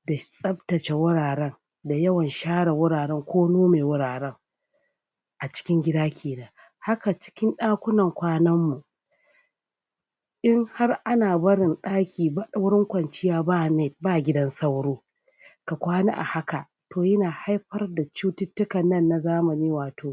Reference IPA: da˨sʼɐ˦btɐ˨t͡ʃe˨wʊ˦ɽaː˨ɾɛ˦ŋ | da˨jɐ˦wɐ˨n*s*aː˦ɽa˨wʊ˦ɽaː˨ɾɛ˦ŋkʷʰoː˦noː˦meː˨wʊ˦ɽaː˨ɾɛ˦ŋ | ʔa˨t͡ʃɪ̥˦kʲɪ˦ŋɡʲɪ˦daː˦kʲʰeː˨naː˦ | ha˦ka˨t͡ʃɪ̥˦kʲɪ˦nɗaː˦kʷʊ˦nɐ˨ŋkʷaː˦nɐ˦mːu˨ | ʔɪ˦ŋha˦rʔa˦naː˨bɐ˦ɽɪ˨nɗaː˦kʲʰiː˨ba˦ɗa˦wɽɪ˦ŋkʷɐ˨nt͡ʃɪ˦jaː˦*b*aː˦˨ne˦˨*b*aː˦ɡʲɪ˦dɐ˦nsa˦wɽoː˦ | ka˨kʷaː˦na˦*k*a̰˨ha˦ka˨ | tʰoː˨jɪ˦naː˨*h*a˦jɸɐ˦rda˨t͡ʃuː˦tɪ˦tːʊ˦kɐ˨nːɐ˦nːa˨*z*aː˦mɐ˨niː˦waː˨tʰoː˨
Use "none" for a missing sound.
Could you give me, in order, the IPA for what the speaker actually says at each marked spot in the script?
ʃ, b, b, ʔ, h, z

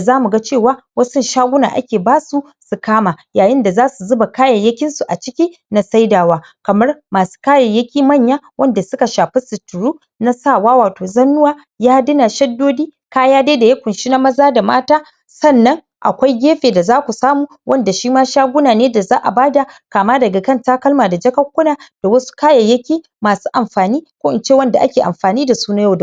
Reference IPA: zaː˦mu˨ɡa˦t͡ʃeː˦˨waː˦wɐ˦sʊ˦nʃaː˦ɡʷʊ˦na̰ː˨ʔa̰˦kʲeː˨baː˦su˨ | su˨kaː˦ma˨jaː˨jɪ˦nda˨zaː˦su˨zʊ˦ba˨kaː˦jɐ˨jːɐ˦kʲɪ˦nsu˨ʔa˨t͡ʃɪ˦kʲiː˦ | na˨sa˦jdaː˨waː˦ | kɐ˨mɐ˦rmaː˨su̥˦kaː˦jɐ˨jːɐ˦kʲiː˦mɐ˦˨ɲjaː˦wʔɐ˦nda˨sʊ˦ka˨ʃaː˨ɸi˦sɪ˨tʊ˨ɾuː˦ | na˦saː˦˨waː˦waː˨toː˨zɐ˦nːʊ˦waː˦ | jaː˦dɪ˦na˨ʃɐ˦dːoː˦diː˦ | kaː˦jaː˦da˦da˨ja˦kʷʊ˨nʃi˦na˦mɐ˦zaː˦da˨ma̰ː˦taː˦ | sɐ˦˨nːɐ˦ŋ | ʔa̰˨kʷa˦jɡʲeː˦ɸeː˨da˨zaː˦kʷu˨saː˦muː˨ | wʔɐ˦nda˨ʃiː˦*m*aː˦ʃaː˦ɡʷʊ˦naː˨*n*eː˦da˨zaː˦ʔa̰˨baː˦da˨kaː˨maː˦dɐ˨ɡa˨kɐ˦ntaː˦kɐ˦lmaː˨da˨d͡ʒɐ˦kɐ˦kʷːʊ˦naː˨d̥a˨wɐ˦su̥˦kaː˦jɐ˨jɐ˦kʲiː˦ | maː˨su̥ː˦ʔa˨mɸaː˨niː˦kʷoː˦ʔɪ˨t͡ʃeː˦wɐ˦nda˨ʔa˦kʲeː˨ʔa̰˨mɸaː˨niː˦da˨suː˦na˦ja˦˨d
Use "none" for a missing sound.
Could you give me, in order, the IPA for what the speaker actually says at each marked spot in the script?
m, n

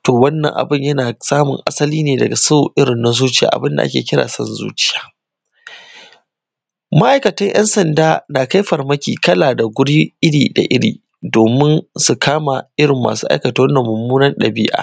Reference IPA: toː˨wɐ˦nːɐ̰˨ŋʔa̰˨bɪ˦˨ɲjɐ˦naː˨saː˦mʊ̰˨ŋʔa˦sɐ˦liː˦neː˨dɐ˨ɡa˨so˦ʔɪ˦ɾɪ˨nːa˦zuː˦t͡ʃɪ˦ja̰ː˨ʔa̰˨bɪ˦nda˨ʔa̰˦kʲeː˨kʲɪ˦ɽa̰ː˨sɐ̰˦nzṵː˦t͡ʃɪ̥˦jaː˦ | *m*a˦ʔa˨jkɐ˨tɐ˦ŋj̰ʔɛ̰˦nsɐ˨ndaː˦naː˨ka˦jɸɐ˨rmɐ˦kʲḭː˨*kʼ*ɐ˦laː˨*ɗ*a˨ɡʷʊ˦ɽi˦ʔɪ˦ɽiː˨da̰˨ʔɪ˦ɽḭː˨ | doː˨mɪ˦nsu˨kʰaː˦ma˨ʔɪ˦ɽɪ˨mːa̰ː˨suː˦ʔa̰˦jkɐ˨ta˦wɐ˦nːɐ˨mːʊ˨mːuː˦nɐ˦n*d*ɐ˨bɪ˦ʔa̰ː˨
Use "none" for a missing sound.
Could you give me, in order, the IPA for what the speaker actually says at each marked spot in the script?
m, k, d, ɗ

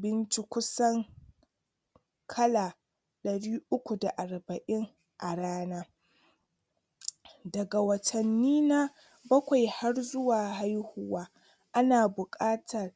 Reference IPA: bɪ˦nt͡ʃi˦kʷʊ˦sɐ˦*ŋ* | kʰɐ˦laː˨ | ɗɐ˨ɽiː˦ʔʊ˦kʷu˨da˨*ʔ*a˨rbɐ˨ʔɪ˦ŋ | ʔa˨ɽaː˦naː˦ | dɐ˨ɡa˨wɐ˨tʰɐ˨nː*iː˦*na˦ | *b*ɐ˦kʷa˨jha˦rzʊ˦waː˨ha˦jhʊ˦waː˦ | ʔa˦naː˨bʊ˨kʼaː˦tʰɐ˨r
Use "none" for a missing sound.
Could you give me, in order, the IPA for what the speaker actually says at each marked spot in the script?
ŋ, ʔ, iː˦, b

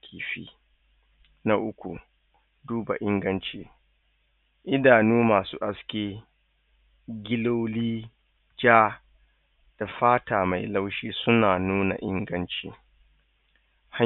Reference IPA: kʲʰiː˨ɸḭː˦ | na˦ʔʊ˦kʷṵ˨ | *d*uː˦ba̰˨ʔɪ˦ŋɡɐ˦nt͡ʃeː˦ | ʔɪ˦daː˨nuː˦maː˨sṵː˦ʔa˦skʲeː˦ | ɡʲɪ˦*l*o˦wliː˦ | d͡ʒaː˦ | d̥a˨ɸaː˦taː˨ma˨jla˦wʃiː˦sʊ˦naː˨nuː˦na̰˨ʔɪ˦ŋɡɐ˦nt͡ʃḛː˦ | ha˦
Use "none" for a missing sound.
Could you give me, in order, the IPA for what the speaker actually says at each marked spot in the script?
d, l

